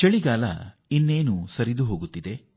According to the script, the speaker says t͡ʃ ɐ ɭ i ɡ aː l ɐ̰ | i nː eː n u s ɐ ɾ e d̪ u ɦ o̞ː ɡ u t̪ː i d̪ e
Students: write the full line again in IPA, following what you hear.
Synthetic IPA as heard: t͡ʃ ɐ ɭ i ɡ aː l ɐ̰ | i nː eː n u s ɐ ɾ i d̪ u ɦ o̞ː ɡ u t̪ː i d̪ e